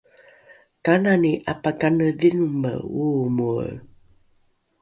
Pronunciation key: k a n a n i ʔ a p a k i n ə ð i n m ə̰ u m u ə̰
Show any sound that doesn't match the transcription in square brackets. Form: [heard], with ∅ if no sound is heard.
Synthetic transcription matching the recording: k a n a n i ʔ a p a k [a] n ə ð i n m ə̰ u m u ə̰